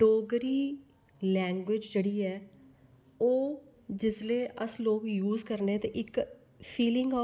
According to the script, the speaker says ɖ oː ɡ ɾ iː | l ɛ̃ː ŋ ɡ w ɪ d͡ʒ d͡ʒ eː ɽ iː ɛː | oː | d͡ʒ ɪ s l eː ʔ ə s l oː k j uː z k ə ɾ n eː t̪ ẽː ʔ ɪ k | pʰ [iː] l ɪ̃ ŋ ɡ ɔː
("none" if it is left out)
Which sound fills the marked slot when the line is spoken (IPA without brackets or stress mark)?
iː